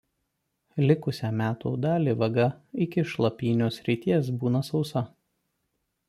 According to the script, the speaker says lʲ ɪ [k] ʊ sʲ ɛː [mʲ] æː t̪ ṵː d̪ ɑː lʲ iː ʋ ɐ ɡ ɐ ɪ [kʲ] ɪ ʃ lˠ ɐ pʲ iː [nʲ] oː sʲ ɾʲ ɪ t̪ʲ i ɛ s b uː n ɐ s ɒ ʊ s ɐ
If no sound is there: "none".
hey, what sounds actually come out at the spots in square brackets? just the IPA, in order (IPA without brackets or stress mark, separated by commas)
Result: k, mʲ, kʲ, nʲ